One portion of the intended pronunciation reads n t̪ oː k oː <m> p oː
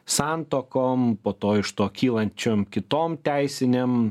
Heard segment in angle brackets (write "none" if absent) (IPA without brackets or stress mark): m